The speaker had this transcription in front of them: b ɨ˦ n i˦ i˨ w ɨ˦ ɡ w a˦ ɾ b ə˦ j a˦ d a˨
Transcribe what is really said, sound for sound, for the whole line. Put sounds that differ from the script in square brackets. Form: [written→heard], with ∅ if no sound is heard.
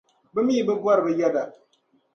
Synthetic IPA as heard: b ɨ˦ [n→m] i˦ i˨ [w→b] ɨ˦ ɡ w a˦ ɾ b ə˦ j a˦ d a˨